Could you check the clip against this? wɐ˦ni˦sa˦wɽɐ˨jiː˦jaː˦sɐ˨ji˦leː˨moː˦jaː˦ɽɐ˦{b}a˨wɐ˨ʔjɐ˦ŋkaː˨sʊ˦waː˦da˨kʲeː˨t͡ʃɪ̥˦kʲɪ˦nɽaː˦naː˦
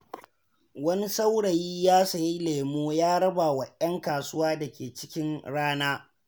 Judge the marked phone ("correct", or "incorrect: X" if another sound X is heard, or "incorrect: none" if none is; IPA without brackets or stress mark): correct